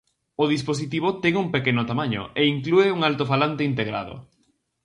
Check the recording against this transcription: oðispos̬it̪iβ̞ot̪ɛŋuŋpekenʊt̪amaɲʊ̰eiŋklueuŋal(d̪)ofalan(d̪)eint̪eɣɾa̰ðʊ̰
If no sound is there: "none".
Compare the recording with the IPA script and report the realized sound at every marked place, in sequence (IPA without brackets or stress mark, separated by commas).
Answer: t̪, t̪